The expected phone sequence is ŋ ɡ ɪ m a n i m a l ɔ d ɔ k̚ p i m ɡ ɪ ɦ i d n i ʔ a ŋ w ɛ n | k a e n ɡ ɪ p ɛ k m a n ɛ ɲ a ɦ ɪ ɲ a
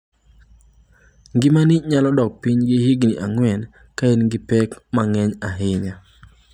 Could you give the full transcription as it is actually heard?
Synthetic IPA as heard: ŋ ɡ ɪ m a n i ɲ a l ɔ d ɔ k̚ p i ɲ ɡ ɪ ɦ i ɡ n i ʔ a ŋ w ɛ n | k a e n ɡ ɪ p ɛ k m a ŋ ɛ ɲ a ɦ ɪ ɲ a